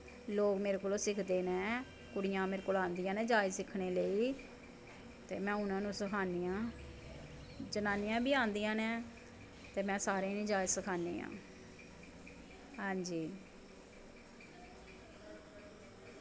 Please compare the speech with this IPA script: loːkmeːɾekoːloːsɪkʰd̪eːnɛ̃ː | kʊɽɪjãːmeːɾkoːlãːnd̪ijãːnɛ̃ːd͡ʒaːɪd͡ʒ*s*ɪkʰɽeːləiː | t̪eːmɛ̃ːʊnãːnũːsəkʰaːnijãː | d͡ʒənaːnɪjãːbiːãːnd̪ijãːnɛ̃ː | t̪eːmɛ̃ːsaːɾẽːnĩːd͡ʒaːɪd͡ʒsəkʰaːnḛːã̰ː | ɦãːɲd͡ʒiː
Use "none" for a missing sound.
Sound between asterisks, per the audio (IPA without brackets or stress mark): s